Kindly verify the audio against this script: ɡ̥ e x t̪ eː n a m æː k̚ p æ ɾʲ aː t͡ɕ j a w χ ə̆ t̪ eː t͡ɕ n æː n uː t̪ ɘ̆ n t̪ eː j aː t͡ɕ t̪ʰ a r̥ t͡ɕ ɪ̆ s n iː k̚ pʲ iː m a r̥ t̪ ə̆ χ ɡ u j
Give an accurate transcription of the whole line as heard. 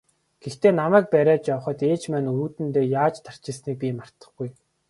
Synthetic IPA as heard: ɡ̥ e x t̪ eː n a m æː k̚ p æ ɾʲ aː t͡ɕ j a w χ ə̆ t̪ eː t͡ɕ m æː n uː t̪ ɘ̆ n t̪ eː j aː t͡ɕ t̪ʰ a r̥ t͡ɕ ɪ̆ s n iː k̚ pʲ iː m a r̥ t̪ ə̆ χ ɡ u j